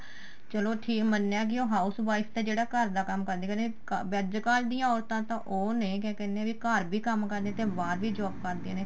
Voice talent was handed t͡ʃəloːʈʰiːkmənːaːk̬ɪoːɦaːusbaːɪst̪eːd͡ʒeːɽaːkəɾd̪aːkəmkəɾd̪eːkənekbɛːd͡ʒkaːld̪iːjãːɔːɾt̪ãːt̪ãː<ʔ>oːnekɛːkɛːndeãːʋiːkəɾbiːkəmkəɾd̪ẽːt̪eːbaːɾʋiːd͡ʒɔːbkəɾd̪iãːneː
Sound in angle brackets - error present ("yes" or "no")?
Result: no